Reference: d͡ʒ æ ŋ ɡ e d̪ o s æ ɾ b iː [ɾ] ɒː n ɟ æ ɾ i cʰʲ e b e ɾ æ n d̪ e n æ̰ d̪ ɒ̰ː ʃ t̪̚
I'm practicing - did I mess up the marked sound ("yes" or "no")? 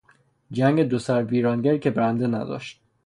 no